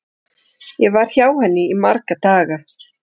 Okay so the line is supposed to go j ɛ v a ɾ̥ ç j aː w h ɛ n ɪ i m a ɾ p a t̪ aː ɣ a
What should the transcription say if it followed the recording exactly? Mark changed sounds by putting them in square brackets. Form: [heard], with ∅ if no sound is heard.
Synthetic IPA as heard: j ɛ v a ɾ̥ ç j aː w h ɛ [nː] ɪ i m a ɾ [k] a t̪ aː ɣ a